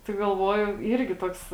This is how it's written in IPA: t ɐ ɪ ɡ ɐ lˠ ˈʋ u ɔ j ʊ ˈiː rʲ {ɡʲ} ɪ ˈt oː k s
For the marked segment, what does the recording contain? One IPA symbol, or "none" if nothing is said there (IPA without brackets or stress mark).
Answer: ɡʲ